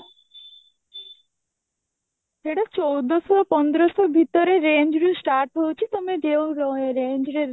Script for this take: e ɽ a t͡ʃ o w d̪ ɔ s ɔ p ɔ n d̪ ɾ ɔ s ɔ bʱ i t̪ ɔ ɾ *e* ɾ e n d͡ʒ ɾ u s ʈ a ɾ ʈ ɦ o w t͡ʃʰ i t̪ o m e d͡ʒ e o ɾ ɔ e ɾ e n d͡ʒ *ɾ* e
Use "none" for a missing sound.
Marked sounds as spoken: e, ɾ

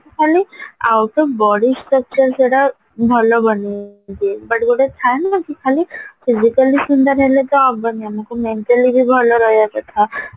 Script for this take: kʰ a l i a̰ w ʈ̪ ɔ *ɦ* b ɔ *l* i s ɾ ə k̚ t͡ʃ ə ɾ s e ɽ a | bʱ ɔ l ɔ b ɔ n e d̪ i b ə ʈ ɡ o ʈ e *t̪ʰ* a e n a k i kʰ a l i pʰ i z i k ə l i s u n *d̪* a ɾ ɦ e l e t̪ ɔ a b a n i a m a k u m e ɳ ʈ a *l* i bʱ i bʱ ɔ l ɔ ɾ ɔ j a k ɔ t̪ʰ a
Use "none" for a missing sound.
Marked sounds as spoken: none, ɽ, t̪ʰ, d̪, l

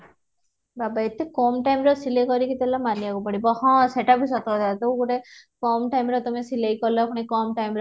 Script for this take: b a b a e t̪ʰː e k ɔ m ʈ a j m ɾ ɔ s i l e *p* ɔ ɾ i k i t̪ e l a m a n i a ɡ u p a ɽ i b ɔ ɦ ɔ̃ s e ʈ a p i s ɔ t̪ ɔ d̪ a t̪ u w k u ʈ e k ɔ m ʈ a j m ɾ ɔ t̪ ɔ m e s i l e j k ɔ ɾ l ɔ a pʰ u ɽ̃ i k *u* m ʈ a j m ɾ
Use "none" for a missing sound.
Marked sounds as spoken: k, ɔ

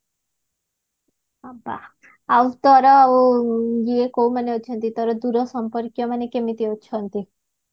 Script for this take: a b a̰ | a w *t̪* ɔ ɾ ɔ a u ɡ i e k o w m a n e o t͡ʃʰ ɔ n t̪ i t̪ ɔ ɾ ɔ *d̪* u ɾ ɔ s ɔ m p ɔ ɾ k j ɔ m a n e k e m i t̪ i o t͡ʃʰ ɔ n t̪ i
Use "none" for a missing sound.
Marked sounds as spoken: t̪, d̪

